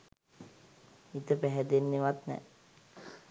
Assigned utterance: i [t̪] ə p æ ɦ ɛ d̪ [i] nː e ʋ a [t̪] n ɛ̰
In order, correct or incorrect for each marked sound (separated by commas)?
correct, incorrect, correct